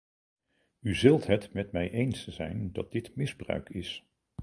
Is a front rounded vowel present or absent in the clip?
present